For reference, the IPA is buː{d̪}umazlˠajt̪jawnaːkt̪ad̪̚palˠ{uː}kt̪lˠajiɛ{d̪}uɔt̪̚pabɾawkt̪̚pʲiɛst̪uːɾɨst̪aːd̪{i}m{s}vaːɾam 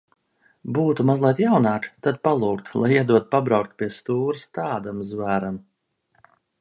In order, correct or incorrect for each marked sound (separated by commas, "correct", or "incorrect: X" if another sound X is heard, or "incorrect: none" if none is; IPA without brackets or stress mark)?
incorrect: t̪, correct, correct, incorrect: a, incorrect: z